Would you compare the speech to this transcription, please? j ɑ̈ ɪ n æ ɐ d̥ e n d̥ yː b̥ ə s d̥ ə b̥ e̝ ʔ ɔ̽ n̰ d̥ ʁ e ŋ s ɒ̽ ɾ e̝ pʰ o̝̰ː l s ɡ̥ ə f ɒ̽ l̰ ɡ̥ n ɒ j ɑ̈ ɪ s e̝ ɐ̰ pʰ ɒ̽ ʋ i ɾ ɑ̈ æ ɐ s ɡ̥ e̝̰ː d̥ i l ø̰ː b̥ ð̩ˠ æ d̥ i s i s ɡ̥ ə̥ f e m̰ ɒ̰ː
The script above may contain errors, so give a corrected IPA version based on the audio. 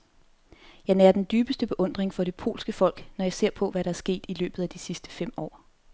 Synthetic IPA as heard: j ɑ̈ ɪ n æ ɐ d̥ e n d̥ yː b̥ ə s d̥ ə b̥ e̝ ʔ ɔ̽ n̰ d̥ ʁ e ŋ f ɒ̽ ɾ e̝ pʰ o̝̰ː l s ɡ̥ ə f ɒ̽ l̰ ɡ̥ n ɒ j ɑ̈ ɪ s e̝ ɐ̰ pʰ ɒ̽ ʋ æ ɾ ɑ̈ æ ɐ s ɡ̥ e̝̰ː d̥ i l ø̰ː b̥ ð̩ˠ æ d̥ i s i s d̥ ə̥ f e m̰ ɒ̰ː